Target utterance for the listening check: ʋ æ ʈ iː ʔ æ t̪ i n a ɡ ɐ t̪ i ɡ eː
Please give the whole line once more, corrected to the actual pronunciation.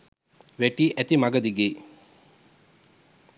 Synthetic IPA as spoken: ʋ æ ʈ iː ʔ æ t̪ i m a ɡ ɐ d̪ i ɡ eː